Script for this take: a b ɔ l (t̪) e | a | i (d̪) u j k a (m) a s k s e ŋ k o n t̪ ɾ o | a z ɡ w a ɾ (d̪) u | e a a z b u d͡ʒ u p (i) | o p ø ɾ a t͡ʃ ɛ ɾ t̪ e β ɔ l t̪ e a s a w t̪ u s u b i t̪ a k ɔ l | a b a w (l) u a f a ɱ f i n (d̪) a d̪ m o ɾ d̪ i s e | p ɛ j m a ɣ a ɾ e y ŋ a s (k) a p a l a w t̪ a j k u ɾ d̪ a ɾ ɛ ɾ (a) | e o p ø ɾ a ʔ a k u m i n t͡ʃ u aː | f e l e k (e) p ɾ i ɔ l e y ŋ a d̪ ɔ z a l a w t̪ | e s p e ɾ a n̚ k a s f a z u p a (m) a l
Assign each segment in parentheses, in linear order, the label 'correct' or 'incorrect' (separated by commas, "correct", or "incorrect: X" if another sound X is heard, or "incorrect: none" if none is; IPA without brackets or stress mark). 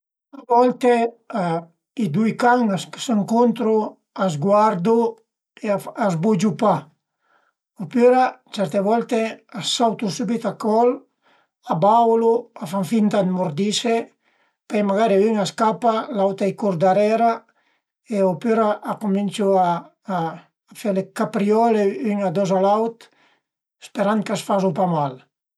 correct, correct, incorrect: ŋ, correct, incorrect: a, correct, incorrect: t̪, correct, correct, incorrect: a, correct